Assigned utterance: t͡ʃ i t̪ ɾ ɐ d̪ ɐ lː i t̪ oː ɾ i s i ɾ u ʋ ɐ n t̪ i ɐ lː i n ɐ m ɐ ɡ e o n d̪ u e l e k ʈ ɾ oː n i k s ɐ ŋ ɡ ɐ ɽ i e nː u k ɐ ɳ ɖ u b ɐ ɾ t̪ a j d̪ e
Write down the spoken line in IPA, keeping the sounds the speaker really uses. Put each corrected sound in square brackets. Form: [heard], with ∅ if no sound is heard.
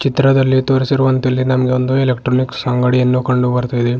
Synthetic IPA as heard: t͡ʃ i t̪ ɾ ɐ d̪ ɐ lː i t̪ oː ɾ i s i ɾ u ʋ ɐ n t̪ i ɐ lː i n ɐ m ɐ ɡ e o n d̪ u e l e k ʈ ɾ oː n i k s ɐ ŋ ɡ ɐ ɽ i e nː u k ɐ ɳ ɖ u b ɐ ɾ t̪ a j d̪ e